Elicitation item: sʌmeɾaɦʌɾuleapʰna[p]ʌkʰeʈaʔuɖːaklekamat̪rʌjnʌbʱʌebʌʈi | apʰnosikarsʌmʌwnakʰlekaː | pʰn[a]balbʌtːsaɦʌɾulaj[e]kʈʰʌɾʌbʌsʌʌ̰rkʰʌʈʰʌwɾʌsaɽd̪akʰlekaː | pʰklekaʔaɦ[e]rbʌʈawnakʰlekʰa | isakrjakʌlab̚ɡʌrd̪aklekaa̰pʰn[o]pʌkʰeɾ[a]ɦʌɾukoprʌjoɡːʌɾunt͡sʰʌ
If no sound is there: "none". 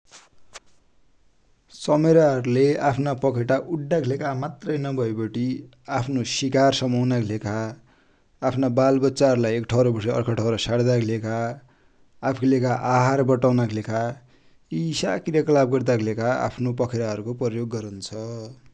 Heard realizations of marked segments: p, a, e, a, o, a

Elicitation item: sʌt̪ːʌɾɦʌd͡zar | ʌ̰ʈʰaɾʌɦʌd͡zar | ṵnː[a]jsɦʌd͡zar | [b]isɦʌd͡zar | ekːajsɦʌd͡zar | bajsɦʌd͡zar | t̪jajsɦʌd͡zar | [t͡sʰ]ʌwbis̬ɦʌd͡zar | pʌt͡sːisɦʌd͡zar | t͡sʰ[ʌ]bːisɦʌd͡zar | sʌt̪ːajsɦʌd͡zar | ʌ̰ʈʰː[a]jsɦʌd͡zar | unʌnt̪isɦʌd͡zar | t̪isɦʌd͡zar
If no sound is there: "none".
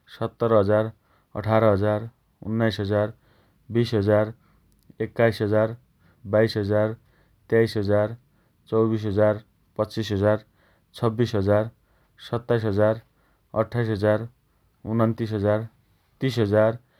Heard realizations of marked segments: a, b, t͡s, ʌ, a

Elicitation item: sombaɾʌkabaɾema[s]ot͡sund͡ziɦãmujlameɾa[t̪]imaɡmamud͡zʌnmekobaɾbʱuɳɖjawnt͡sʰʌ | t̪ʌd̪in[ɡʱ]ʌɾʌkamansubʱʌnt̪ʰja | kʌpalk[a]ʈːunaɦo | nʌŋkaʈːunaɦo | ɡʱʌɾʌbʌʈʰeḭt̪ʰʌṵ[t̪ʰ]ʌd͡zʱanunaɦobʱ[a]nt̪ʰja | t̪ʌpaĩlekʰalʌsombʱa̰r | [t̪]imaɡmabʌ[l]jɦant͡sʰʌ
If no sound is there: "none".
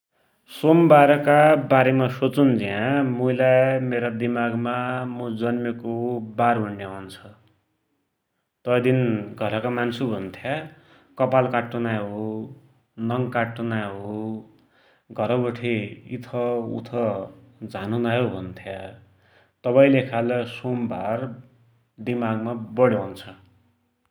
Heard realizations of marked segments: s, d̪, ɡʱ, a, t̪ʰ, ʌ, d̪, ɽ

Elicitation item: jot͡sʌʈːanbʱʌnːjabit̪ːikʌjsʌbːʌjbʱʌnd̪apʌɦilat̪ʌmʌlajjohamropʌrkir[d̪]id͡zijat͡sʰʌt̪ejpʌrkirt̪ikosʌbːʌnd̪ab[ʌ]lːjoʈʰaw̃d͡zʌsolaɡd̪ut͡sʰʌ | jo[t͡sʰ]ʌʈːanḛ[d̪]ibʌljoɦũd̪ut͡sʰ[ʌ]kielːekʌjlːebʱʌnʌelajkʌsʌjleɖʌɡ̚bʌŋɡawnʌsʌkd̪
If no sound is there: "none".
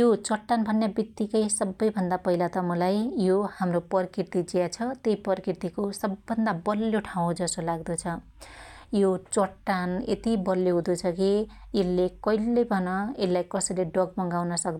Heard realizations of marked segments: t̪, ʌ, t͡s, t̪, ʌ

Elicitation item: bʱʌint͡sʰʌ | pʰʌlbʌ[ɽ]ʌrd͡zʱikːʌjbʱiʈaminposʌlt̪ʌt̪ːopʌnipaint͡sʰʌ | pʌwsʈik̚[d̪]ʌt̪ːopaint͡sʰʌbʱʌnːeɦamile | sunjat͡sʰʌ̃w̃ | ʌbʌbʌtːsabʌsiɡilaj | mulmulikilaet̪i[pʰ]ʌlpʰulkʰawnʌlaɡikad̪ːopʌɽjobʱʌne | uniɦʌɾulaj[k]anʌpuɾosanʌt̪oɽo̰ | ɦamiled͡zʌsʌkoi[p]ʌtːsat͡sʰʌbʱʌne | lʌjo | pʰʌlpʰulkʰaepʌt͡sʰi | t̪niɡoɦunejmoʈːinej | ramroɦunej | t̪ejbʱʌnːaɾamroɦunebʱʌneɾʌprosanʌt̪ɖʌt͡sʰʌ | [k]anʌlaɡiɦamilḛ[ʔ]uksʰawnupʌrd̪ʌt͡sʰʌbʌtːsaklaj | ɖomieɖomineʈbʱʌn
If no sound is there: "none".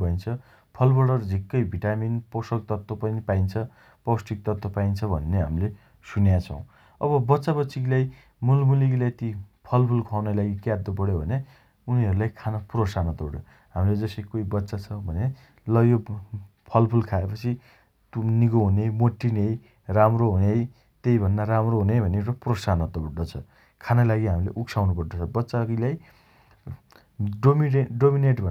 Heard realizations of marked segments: ɽ, t̪, pʰ, kʰ, b, kʰ, ʔ

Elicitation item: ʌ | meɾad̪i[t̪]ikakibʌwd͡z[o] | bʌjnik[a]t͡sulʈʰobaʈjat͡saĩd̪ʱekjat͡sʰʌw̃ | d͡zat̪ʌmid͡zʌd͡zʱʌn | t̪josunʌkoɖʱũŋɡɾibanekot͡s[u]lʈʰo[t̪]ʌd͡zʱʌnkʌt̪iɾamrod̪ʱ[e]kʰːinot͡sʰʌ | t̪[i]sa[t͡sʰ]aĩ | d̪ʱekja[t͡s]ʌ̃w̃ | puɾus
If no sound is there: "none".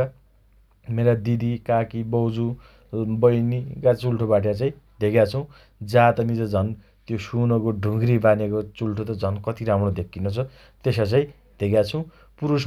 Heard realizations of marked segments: d̪, u, a, u, t̪, e, e, t͡s, t͡sʰ

